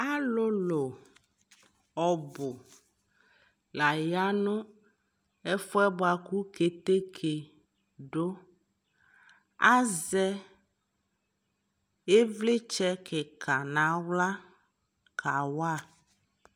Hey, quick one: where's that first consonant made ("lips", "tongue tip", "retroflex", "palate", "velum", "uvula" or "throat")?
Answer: tongue tip